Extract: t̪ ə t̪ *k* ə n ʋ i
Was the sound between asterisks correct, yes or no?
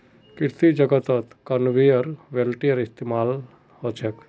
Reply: yes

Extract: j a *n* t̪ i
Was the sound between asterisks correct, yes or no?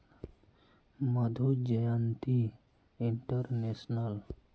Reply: yes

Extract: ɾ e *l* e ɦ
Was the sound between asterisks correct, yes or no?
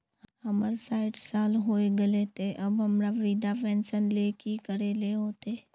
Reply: yes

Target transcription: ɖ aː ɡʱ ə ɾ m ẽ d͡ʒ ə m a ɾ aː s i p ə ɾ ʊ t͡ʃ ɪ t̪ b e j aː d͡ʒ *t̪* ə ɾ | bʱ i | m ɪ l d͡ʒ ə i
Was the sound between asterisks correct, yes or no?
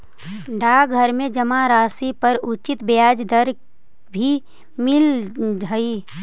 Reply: no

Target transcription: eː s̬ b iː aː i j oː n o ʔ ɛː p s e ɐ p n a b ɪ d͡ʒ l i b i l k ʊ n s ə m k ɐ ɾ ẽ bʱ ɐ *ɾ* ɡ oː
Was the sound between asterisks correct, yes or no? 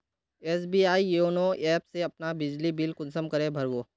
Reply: yes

